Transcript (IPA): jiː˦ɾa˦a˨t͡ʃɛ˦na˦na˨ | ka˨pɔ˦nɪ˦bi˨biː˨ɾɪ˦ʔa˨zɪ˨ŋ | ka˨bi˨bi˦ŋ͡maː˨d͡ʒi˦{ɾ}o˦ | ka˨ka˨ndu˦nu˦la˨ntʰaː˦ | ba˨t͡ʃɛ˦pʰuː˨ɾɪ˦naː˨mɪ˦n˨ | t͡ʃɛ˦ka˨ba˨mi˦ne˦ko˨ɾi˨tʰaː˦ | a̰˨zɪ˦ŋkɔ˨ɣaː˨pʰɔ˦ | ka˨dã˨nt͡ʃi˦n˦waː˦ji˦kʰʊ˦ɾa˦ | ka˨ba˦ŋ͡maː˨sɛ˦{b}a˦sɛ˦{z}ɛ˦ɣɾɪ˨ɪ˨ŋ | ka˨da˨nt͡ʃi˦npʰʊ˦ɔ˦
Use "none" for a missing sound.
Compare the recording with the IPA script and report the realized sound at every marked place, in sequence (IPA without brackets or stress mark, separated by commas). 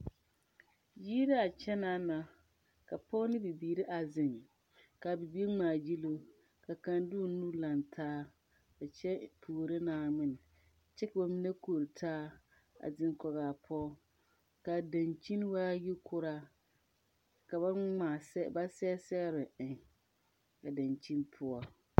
l, b, s